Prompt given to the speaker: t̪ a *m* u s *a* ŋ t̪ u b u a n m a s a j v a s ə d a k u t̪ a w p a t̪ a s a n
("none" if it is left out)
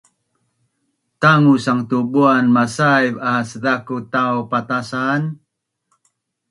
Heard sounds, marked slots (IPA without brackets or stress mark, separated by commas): ŋ, a